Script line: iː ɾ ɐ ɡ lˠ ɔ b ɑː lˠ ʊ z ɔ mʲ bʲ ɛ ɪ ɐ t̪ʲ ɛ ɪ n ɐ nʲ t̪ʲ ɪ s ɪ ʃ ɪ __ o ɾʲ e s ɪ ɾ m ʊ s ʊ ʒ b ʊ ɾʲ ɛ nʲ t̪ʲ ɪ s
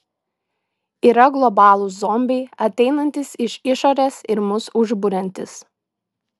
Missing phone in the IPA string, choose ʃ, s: ʃ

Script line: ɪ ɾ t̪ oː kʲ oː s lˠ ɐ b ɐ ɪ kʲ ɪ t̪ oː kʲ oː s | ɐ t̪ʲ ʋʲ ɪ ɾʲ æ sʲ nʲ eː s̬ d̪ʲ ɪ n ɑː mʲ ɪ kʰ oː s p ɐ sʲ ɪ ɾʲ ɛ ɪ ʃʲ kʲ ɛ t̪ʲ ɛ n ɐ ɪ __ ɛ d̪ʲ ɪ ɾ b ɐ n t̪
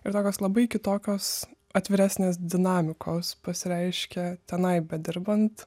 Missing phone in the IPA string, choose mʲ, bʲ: bʲ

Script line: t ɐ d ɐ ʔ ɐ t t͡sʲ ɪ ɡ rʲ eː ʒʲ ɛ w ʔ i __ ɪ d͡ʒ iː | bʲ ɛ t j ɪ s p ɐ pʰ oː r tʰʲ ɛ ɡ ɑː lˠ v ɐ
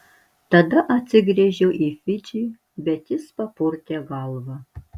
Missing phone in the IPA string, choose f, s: f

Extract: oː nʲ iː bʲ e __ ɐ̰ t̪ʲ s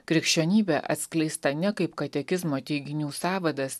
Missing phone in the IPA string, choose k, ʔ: ʔ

